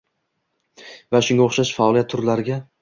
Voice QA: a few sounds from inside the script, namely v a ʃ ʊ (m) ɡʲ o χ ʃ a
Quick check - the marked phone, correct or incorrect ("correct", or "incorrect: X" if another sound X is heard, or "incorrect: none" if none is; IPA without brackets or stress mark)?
incorrect: ŋ